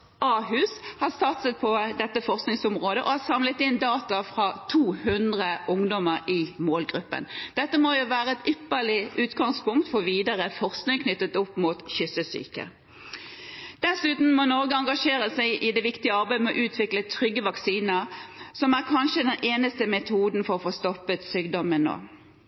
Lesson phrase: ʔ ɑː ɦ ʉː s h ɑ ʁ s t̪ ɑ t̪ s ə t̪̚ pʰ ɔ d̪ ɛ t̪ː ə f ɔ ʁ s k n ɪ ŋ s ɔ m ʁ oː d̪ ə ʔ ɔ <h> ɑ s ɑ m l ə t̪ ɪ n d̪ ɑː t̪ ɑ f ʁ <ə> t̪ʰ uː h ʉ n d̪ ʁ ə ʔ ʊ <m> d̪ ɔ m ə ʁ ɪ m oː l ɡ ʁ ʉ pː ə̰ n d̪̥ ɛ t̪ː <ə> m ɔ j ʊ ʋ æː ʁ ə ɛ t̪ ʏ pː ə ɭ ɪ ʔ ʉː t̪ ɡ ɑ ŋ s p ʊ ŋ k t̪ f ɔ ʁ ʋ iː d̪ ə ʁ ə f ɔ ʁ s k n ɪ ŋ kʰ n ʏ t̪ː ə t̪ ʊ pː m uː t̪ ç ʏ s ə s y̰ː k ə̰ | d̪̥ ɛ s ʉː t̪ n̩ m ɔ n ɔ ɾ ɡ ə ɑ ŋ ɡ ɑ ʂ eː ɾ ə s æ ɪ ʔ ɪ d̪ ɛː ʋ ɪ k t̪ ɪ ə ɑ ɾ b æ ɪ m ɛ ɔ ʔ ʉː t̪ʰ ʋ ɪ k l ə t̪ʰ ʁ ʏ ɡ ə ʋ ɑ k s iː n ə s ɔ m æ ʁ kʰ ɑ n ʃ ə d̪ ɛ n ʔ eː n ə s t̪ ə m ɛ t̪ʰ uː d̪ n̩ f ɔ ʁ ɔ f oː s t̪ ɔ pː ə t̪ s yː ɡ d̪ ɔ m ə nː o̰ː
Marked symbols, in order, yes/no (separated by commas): yes, no, no, yes